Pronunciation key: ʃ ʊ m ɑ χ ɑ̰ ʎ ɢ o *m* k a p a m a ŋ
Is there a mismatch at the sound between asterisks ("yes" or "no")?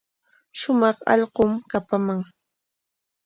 no